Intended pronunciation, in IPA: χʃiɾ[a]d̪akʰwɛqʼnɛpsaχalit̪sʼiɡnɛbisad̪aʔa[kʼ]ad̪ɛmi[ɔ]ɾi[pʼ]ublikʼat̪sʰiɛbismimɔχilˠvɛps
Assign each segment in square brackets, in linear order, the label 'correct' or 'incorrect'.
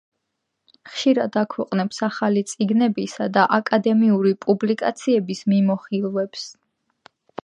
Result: correct, correct, incorrect, correct

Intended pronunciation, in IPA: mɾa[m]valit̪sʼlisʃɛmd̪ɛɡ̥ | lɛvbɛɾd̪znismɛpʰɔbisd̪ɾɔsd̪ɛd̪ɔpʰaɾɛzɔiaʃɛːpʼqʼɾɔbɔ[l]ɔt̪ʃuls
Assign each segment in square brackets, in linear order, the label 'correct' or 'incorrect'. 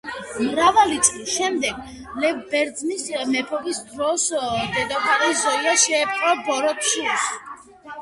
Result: incorrect, incorrect

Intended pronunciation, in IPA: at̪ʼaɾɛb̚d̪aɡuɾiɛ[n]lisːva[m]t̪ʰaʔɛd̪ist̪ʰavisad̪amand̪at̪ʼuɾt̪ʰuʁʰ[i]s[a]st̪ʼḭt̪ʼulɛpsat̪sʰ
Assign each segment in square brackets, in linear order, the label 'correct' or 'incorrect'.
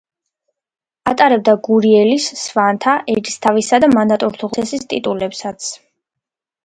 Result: incorrect, incorrect, incorrect, incorrect

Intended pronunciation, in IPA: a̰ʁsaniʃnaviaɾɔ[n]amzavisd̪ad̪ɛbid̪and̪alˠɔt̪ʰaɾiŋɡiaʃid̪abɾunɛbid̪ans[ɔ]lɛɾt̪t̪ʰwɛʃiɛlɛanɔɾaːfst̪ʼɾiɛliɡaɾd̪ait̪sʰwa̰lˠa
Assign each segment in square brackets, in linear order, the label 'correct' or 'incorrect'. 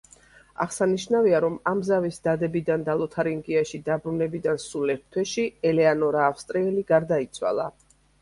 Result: incorrect, incorrect

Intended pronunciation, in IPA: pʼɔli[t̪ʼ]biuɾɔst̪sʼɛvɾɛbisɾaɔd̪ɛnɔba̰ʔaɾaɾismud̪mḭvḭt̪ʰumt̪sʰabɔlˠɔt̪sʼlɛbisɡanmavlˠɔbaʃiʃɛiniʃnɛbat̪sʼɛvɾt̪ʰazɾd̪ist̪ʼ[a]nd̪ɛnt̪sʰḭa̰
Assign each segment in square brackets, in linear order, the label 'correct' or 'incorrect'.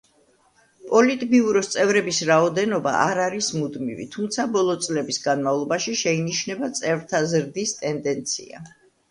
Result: correct, incorrect

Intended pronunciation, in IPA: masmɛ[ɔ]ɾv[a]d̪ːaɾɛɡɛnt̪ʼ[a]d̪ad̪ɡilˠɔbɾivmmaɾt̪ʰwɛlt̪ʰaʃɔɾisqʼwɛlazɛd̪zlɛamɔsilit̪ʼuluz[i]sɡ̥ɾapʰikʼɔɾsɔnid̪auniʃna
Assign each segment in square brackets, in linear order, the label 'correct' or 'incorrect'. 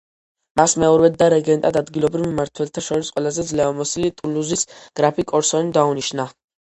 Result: correct, incorrect, correct, correct

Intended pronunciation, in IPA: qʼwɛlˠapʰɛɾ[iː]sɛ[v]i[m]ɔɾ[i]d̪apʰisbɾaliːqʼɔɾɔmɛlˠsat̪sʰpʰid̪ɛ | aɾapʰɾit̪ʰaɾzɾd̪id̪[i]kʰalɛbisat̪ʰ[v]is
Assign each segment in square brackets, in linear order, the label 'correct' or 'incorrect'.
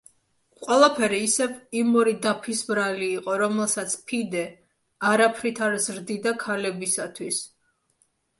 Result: correct, correct, correct, correct, incorrect, incorrect

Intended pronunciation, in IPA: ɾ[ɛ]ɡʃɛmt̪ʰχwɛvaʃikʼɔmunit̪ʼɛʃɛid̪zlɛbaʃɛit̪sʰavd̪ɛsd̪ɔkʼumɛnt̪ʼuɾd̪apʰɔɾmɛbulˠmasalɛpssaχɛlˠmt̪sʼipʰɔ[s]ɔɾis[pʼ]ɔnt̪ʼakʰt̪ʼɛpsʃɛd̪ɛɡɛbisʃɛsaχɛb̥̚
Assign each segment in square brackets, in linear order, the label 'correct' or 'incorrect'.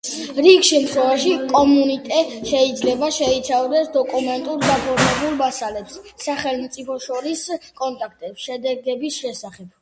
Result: incorrect, incorrect, incorrect

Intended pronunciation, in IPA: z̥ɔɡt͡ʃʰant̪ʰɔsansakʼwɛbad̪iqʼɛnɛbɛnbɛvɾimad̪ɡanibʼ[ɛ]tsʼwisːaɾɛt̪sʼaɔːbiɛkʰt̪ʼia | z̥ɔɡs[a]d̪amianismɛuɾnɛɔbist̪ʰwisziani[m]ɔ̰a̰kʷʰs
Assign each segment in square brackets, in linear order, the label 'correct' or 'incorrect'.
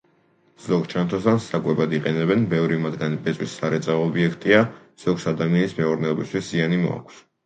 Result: correct, correct, correct

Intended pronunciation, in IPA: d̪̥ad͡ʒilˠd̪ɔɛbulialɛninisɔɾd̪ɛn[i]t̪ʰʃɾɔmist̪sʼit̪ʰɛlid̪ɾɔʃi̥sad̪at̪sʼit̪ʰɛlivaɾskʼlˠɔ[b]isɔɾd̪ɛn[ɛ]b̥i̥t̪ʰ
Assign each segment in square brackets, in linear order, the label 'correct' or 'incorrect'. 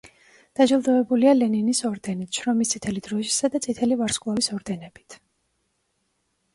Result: correct, incorrect, correct

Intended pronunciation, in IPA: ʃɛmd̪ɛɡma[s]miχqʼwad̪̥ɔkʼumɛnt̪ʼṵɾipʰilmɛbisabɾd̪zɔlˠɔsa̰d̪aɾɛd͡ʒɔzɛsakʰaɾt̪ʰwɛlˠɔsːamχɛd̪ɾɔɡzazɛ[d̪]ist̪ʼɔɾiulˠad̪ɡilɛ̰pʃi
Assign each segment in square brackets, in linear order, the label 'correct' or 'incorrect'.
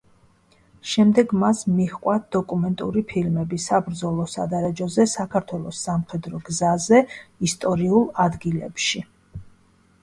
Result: correct, incorrect

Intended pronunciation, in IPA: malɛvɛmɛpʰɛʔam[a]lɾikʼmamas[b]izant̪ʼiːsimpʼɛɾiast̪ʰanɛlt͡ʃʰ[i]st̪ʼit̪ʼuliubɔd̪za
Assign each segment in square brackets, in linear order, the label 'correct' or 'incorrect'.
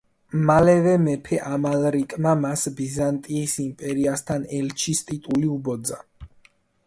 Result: correct, correct, correct

